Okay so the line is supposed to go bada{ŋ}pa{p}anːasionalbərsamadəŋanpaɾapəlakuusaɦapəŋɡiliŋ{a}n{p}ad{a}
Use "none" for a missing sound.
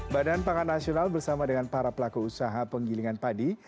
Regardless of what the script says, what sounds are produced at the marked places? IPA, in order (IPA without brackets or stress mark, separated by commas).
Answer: n, k, a, p, i